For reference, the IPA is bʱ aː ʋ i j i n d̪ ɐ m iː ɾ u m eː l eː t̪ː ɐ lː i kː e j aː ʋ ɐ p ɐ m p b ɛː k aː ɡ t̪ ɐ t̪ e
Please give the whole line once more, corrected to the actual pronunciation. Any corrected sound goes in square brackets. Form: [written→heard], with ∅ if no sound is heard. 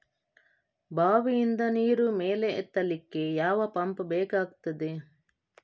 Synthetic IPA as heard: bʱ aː ʋ i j i n d̪ ɐ [m→n] iː ɾ u m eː l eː t̪ː ɐ [lː→l] i kː e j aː ʋ ɐ p ɐ m p b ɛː k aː ɡ t̪ ɐ [t̪→d̪] e

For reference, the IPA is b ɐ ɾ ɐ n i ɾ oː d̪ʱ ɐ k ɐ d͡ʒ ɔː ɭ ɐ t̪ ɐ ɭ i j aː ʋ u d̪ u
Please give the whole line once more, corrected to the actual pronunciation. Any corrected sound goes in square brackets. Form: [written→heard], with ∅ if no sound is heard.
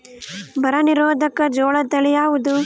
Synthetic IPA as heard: b ɐ ɾ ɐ n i ɾ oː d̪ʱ ɐ k ɐ d͡ʒ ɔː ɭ ɐ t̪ ɐ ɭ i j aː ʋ u d̪ u

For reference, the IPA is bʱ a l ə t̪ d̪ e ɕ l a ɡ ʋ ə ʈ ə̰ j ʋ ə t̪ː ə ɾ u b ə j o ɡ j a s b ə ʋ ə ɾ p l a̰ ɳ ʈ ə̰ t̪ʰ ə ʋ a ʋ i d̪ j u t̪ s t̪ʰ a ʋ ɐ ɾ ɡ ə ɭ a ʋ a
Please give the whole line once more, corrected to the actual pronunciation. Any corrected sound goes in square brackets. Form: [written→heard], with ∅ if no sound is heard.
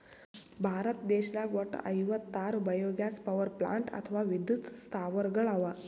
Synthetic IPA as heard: bʱ a [l→ɾ] ə t̪ d̪ e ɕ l a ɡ ʋ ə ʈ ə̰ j ʋ ə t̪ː [ə→a] ɾ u b ə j o ɡ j a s [b→p] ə ʋ ə ɾ p l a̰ ɳ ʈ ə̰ t̪ʰ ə ʋ a ʋ i d̪ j u t̪ s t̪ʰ a ʋ [ɐ→ə] ɾ ɡ ə ɭ a ʋ a

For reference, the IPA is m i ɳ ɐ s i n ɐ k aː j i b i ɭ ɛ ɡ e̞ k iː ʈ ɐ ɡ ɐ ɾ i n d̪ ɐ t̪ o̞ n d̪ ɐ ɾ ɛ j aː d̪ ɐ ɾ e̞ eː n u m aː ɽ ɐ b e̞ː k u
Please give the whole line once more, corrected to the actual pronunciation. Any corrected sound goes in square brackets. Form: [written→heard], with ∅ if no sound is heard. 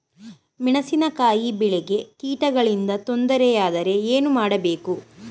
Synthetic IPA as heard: m i ɳ ɐ s i n ɐ k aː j i b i ɭ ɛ ɡ e̞ k iː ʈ ɐ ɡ ɐ [ɾ→ɭ] i n d̪ ɐ t̪ o̞ n d̪ ɐ ɾ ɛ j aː d̪ ɐ ɾ e̞ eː n u m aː ɽ ɐ b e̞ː k u

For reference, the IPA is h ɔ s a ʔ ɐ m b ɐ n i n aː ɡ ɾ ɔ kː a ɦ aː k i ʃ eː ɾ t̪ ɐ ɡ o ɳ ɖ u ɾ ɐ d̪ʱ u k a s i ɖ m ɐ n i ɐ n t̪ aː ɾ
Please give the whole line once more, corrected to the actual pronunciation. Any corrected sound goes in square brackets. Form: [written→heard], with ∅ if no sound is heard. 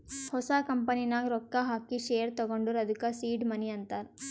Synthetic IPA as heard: h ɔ s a [ʔ→k] ɐ m [b→p] ɐ n i n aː ɡ ɾ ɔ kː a ɦ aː k i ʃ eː ɾ t̪ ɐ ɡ o ɳ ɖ u ɾ ɐ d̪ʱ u k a s [i→iː] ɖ m ɐ n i ɐ n t̪ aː ɾ

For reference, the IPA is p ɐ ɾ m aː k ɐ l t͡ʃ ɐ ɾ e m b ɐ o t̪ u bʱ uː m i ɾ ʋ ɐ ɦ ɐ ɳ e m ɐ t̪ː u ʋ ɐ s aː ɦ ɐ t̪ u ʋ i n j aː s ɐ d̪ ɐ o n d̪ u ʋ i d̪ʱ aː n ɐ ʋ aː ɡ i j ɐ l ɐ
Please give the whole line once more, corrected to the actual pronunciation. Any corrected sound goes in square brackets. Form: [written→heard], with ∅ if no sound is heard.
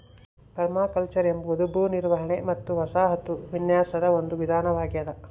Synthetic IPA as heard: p ɐ ɾ m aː k ɐ l t͡ʃ ɐ ɾ e m b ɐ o [t̪→d̪] u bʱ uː [m→n] i ɾ ʋ ɐ ɦ ɐ ɳ e m ɐ t̪ː u ʋ ɐ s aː ɦ ɐ t̪ u ʋ i n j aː s ɐ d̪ ɐ o n d̪ u ʋ i d̪ʱ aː n ɐ ʋ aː ɡ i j ɐ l ɐ

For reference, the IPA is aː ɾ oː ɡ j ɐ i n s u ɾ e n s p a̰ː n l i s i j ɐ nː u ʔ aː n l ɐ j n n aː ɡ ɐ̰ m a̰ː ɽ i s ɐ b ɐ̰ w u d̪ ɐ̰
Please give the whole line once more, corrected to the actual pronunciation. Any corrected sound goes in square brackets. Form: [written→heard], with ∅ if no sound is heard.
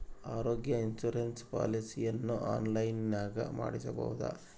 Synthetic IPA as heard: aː ɾ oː ɡ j ɐ i n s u ɾ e n s p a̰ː [n→∅] l i s i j ɐ nː u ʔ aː n l ɐ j n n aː ɡ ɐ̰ m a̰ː ɽ i s ɐ b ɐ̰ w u d̪ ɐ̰

